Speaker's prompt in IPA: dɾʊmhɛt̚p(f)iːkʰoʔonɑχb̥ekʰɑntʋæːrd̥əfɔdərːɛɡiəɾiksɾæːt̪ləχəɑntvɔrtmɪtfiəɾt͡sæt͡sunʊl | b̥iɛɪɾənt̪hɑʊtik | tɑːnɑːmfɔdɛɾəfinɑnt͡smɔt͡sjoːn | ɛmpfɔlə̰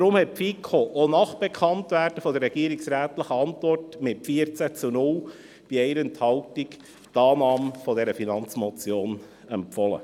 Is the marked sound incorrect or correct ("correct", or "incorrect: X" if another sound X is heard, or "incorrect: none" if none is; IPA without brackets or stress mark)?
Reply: correct